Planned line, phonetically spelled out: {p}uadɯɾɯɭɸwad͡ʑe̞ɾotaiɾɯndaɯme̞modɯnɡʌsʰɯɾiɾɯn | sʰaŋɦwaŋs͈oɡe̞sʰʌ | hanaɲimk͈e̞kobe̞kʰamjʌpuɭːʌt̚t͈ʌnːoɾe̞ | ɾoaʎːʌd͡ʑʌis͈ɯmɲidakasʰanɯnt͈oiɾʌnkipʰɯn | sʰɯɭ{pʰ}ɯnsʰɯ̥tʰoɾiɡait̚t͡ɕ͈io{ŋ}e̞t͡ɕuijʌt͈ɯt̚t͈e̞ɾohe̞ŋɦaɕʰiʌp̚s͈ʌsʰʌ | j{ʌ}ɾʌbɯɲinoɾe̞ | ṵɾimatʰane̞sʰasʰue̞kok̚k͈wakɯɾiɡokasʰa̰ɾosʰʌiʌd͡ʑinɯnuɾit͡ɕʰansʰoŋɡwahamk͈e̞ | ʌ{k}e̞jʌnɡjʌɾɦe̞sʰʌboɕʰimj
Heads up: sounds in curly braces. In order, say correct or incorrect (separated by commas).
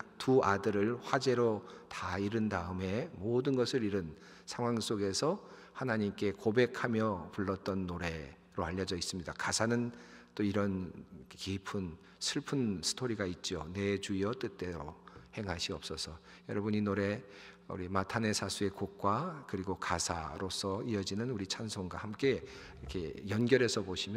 incorrect, correct, incorrect, correct, incorrect